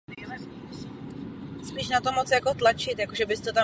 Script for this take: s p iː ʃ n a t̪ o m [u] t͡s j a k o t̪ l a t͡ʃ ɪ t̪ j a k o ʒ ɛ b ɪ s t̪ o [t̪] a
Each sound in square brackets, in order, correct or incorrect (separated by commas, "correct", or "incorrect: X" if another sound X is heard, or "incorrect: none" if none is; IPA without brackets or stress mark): incorrect: o, correct